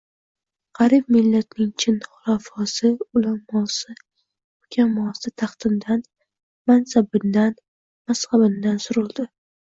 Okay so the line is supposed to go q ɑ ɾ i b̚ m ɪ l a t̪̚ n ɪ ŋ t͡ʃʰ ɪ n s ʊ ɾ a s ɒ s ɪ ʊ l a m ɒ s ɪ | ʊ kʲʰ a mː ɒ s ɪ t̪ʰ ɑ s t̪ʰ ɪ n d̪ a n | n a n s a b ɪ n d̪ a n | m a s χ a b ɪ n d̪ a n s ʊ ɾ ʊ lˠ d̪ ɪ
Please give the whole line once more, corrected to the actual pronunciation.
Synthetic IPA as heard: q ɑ ɾ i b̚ m ɪ lː a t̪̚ n ɪ ŋ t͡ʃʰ ɪ n χ ʊ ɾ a f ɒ s ɪ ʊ l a m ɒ s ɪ | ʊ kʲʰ a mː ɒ s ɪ t̪ʰ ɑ χ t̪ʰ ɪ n d̪ a n | m a n s a b ɪ n d̪ a n | m a s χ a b ɪ n d̪ a n s ʊ ɾ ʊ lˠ d̪ ɪ